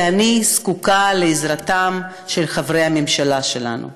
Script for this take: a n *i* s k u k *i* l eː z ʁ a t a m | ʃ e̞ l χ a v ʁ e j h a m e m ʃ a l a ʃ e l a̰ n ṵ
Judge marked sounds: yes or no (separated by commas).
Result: yes, no